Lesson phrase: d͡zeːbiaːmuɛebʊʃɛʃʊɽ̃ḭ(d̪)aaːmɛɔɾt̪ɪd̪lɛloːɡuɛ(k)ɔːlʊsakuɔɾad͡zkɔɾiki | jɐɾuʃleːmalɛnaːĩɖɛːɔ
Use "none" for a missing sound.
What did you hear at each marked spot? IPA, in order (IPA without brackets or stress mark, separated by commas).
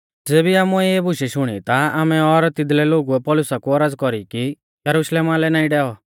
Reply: t̪, p